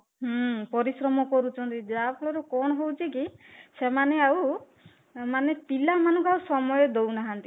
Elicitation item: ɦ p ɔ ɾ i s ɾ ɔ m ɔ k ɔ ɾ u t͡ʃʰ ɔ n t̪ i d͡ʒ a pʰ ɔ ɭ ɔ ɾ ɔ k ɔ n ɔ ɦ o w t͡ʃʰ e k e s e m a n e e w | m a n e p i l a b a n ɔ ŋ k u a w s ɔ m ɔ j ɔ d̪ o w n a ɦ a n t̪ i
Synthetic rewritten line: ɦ p ɔ ɾ i s ɾ ɔ m ɔ k ɔ ɾ u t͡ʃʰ ɔ n t̪ i d͡ʒ a pʰ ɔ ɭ ɔ ɾ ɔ k ɔ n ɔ ɦ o w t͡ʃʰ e k i s e m a n e a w | m a n e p i l a m a n ɔ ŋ k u a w s ɔ m ɔ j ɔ d̪ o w n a ɦ a n t̪ i